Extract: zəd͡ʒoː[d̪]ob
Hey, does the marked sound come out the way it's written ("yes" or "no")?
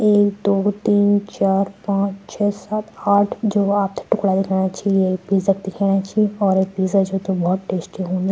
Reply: no